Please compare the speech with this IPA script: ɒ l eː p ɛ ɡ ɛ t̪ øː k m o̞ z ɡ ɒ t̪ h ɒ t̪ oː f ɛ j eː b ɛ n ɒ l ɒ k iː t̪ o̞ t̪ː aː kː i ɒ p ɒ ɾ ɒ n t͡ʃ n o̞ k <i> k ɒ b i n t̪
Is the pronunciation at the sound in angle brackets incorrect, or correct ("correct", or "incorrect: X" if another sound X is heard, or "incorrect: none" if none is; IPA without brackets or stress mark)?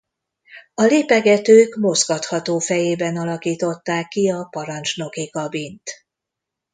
correct